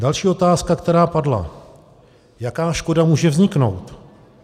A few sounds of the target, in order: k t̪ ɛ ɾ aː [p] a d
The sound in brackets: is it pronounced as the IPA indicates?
yes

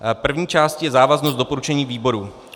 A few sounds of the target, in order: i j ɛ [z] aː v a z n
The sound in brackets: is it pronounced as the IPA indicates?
yes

